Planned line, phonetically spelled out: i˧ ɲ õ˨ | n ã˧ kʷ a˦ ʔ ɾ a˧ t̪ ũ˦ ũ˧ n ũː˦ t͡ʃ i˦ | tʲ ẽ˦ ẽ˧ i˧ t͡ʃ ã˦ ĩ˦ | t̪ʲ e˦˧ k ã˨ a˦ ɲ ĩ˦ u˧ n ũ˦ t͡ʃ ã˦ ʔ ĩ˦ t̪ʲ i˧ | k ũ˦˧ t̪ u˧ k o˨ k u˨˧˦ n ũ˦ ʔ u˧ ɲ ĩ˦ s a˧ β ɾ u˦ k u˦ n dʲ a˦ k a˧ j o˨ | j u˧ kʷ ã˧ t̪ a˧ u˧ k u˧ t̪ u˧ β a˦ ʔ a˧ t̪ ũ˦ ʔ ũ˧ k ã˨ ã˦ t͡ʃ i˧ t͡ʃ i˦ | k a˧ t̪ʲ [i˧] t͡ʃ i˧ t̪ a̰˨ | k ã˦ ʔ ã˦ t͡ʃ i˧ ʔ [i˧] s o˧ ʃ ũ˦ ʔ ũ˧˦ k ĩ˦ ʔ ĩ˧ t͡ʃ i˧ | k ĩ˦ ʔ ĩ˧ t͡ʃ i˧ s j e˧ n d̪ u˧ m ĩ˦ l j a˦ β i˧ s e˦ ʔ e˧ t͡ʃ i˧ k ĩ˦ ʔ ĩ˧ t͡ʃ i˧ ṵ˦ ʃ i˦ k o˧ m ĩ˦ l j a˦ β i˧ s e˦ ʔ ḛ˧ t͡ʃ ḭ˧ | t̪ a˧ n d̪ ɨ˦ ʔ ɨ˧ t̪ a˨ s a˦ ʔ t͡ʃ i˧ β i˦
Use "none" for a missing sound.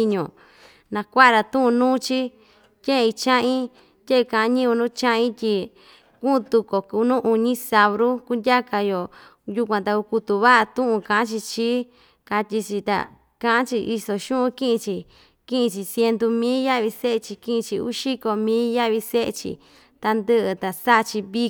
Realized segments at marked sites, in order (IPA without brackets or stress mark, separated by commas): i˧, i˧